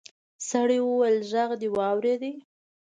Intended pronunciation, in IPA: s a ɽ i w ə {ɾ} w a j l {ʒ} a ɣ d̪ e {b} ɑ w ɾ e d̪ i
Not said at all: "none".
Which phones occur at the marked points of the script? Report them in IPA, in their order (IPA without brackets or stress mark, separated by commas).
none, ʒ, w